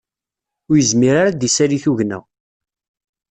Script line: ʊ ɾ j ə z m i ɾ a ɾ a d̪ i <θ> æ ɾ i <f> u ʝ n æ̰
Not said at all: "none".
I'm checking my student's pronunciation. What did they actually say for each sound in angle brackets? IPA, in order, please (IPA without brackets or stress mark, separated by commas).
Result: s, θ